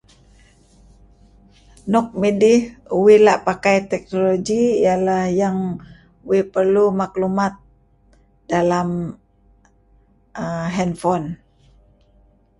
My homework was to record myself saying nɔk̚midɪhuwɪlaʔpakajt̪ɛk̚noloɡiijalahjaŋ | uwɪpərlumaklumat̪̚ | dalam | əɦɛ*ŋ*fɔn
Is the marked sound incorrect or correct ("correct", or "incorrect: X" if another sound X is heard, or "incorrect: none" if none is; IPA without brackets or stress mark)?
incorrect: n